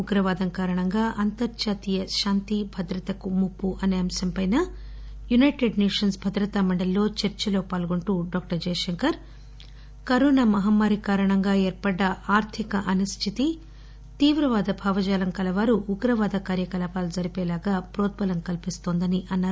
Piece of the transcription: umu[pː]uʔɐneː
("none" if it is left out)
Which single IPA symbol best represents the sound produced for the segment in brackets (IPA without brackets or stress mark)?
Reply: pː